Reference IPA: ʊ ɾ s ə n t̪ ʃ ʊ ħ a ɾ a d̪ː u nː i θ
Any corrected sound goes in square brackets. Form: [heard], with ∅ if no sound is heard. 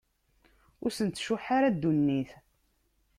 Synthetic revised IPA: ʊ ɾ s ə n t̪ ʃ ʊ ħ a ɾ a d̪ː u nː i θ